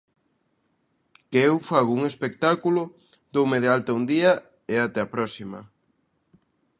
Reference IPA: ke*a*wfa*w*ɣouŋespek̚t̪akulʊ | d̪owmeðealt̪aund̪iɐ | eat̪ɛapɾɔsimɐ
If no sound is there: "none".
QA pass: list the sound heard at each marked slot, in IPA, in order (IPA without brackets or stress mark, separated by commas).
e, none